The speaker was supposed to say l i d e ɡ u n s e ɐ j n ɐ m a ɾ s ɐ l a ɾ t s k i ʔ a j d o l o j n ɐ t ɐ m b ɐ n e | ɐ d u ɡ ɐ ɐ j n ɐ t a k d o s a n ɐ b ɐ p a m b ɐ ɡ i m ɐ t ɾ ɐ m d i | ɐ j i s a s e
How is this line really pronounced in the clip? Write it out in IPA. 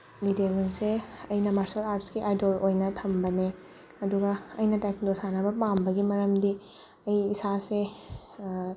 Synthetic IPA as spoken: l i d e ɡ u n s e ɐ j n ɐ m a ɾ s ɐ l a ɾ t s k i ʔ a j d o l o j n ɐ tʰ ɐ m b ɐ n e | ɐ d u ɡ ɐ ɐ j n ɐ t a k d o s a n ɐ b ɐ p a m b ɐ ɡ i m ɐ ɾ ɐ m d i | ɐ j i s a s e